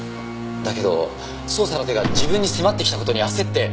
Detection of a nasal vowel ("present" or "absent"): present